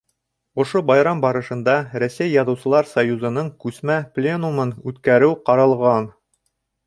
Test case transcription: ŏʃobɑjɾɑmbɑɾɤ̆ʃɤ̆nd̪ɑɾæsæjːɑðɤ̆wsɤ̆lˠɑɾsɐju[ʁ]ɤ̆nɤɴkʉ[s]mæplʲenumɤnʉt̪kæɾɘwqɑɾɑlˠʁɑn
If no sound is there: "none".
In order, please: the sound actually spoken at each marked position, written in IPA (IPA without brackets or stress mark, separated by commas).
z, s